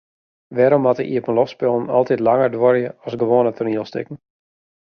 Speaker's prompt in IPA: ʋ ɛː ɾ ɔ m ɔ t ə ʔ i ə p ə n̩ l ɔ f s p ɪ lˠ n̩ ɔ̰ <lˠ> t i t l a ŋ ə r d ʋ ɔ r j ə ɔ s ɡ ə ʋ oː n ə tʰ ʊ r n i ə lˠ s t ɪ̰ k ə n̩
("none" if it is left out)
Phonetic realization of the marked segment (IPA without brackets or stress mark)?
lˠ